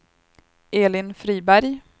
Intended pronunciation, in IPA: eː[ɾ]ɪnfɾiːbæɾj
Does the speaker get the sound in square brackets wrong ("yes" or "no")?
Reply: yes